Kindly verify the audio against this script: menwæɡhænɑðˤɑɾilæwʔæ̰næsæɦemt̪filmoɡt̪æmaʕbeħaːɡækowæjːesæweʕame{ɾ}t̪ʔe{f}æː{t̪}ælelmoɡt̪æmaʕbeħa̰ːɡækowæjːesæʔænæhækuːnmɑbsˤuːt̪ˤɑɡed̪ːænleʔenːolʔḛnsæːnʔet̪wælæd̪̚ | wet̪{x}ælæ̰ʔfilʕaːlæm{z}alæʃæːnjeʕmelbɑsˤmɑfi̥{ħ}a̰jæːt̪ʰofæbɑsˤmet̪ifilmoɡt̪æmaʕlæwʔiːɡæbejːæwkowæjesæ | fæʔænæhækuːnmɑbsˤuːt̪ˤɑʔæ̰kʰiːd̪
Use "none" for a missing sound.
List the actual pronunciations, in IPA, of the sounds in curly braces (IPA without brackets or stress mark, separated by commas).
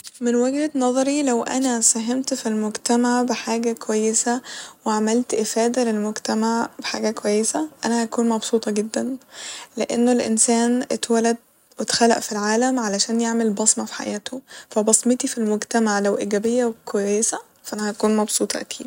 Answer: l, f, d̪, x, ʕ, ħ